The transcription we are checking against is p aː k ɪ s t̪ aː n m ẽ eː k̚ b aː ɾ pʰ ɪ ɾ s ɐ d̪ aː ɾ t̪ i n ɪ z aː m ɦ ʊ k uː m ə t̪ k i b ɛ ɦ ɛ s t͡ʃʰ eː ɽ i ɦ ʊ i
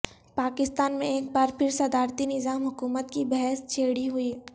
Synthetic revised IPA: p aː k ɪ s t̪ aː n m ẽ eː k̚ b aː ɾ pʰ ɪ ɾ s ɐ d̪ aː ɾ t̪ i n ɪ z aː m ɦ ʊ k uː m ə t̪ k i b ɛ ɦ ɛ s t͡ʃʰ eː ɽ i ɦ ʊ i